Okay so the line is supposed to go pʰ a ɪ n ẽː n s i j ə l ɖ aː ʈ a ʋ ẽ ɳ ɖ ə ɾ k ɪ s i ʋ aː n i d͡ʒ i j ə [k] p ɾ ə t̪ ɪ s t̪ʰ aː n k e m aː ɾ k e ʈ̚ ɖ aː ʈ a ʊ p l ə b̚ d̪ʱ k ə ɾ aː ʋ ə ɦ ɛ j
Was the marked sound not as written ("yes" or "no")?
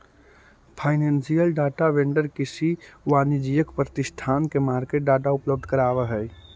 no